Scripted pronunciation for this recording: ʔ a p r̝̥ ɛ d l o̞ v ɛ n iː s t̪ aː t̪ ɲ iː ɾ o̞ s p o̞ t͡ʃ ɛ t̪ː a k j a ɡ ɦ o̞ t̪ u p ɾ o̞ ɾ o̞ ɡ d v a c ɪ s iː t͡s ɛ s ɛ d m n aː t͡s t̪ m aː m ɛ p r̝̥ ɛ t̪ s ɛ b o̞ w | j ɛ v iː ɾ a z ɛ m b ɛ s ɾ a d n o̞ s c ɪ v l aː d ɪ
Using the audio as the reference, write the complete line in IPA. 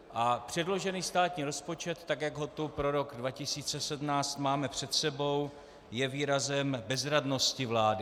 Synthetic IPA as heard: ʔ a p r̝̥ ɛ d l o̞ ʒ ɛ n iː s t̪ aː t̪ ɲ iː ɾ o̞ s p o̞ t͡ʃ ɛ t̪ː a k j a ɡ ɦ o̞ t̪ u p ɾ o̞ ɾ o̞ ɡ d v a c ɪ s iː t͡s ɛ s ɛ d m n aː t͡s t̪ m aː m ɛ p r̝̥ ɛ t̪ s ɛ b o̞ w | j ɛ v iː ɾ a z ɛ m b ɛ z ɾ a d n o̞ s c ɪ v l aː d ɪ